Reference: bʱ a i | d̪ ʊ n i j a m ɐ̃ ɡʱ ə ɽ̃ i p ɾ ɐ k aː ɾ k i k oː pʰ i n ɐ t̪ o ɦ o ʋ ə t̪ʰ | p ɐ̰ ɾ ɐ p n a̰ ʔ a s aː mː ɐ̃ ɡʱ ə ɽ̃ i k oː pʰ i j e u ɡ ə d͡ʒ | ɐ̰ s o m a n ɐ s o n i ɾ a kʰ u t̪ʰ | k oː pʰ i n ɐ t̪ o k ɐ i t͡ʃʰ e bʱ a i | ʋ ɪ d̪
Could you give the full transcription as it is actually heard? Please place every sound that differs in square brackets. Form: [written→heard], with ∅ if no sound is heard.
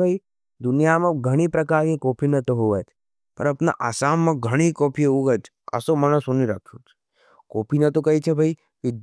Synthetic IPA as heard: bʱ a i | d̪ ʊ n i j a m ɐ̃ ɡʱ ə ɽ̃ i p ɾ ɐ k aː ɾ k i k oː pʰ i n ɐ t̪ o ɦ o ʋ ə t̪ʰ | p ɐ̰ ɾ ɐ p n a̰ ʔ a s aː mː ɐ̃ ɡʱ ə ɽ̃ i k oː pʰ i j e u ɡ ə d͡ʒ | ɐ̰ s o m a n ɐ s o n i ɾ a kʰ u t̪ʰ | k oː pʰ i n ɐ t̪ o k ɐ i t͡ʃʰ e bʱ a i | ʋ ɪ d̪